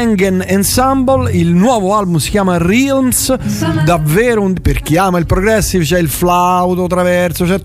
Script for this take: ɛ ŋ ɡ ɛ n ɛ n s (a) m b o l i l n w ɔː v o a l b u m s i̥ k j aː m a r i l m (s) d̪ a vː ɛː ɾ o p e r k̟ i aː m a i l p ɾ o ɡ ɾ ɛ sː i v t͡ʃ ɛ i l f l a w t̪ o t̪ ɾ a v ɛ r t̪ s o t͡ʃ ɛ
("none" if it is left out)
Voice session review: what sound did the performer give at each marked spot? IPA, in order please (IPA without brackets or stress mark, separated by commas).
a, s